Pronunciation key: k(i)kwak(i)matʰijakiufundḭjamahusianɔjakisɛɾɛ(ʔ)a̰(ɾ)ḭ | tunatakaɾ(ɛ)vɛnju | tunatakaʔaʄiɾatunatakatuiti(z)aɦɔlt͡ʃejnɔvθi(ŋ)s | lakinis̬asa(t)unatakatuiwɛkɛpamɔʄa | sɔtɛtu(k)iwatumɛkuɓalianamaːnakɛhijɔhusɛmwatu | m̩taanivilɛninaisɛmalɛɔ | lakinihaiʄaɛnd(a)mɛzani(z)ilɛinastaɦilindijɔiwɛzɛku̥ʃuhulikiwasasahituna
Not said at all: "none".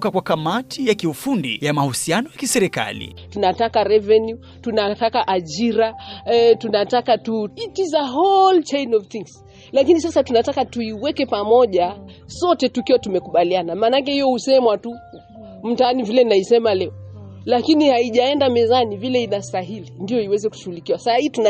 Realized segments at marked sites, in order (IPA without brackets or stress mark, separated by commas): a, a, k, l, ɛ, z, ŋ, t, k, a, v